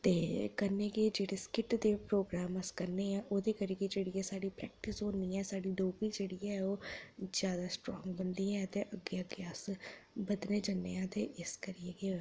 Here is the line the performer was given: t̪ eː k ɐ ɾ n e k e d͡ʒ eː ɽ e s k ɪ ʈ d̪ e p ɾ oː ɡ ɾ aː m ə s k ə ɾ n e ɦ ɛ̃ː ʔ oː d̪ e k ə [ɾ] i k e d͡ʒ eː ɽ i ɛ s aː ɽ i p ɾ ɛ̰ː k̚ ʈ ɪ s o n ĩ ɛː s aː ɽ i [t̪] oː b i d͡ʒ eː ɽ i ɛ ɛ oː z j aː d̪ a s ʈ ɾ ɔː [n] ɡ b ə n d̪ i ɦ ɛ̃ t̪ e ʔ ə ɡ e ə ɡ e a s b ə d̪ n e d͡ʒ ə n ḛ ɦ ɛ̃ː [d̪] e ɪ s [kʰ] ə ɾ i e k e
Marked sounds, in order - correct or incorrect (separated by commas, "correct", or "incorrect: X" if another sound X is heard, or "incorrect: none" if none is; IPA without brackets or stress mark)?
correct, incorrect: d̪, incorrect: ŋ, incorrect: t̪, incorrect: k